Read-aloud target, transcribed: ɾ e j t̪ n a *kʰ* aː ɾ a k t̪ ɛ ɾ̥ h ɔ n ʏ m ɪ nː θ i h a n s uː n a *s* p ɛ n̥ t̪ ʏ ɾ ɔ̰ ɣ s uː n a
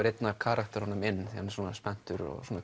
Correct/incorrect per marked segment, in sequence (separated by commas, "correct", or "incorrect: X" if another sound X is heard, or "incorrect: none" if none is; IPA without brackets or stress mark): correct, correct